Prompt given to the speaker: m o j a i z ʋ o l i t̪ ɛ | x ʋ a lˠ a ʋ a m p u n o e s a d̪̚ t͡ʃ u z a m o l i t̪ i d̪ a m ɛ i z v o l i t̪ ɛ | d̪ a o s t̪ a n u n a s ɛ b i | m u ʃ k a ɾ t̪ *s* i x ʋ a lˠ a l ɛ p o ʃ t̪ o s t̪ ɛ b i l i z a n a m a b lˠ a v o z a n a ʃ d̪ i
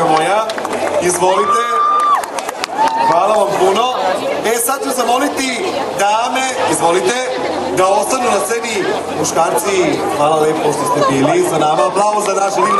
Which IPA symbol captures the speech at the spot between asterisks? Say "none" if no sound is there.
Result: s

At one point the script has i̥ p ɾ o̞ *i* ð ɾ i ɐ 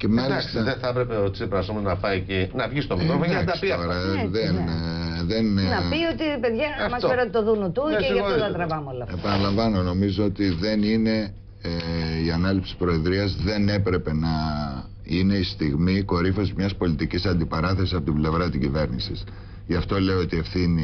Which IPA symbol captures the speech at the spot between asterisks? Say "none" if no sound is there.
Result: e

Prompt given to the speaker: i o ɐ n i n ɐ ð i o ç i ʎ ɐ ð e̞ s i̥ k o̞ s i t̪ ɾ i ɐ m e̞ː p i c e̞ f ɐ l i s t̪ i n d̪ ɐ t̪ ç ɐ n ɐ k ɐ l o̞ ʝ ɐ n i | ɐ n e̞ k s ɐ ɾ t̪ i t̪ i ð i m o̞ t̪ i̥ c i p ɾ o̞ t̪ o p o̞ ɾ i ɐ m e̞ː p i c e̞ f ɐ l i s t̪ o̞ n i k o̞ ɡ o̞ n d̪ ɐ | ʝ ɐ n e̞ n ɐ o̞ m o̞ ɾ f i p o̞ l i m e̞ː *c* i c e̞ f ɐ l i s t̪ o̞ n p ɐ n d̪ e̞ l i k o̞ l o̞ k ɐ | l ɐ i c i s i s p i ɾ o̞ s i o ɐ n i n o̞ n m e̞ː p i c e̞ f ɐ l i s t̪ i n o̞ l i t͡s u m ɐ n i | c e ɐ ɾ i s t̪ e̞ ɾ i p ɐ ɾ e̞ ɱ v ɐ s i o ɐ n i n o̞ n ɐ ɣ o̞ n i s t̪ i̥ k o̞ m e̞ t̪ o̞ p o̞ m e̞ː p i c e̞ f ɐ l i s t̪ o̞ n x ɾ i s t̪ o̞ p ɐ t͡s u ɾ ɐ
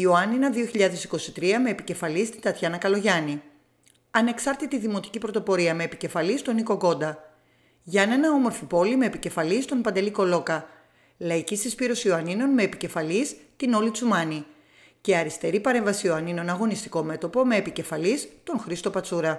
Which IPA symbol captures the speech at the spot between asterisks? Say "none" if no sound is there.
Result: p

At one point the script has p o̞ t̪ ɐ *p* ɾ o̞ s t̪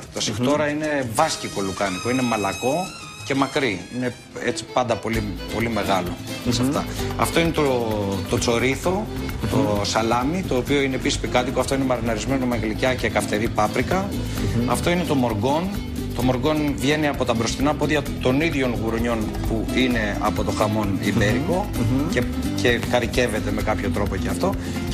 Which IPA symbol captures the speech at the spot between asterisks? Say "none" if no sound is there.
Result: b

